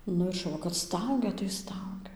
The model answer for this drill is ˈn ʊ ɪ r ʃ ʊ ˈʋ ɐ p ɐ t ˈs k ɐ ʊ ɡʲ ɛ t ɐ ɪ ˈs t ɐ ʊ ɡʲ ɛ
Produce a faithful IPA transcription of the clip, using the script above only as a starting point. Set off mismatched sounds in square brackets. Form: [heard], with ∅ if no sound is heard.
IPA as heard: ˈn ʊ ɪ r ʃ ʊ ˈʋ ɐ [k] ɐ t ˈs [t] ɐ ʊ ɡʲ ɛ t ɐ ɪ ˈs t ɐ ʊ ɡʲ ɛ